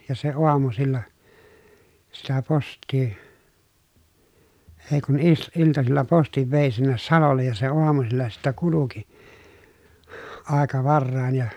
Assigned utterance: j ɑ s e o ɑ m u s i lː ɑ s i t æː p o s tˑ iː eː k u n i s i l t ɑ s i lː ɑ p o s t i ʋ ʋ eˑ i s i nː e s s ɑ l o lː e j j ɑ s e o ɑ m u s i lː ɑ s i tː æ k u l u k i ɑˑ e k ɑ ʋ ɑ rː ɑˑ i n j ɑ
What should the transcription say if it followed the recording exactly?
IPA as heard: j ɑ s e o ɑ m u s i lː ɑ s i t æ p o s tˑ iː eː k u n i s i l t ɑ s i lː ɑ p o s t i ʋ ʋ eˑ i s i nː e s s ɑ l o lː e j j ɑ s e o ɑ m u s i lː ɑ s i tː æ k u l u k i ɑˑ e k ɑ ʋ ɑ rː ɑˑ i n j ɑ